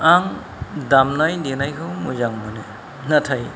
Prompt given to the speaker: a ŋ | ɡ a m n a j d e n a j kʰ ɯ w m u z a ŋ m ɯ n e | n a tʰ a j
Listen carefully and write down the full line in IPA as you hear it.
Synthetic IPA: a ŋ | d a m n a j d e n a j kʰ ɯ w m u z a ŋ m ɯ n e | n a tʰ a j